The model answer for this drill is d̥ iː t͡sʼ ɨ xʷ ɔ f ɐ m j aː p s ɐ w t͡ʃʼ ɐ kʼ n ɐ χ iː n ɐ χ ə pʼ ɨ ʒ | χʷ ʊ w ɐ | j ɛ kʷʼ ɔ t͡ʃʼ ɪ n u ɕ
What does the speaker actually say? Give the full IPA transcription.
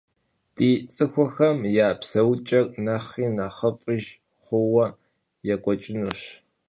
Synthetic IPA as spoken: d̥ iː t͡sʼ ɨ xʷ ɔ x ɐ m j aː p s ɐ w t͡ʃʼ ɐ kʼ n ɐ χ iː n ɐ χ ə pʼ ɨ ʒ | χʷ ʊ w ɐ | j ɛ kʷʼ ɔ t͡ʃʼ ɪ n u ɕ